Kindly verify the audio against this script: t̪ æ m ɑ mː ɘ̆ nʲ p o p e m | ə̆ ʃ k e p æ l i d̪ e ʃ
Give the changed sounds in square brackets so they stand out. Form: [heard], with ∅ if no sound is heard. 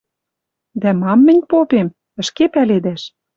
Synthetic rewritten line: [d̪] æ m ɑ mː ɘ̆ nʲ p o p e m | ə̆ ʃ k e p æ l [e] d̪ [æ] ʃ